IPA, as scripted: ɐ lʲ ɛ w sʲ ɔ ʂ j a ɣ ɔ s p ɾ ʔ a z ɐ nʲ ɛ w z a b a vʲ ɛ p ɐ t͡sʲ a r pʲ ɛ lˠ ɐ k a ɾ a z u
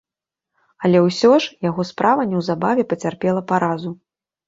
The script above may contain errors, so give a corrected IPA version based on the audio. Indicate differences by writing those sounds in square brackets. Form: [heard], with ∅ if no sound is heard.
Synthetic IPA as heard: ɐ lʲ ɛ w sʲ ɔ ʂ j a ɣ ɔ s p ɾ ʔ a [v] ɐ nʲ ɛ w z a b a vʲ ɛ p ɐ t͡sʲ a r pʲ ɛ lˠ ɐ [p] a ɾ a z u